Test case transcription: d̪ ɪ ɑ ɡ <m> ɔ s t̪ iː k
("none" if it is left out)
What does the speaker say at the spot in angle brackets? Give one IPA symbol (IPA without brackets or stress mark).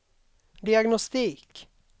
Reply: n